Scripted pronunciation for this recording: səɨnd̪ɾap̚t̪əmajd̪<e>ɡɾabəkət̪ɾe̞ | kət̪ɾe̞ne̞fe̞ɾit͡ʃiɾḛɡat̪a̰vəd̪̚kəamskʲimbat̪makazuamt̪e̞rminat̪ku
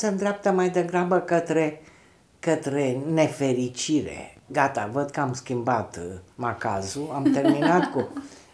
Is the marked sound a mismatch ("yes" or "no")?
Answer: no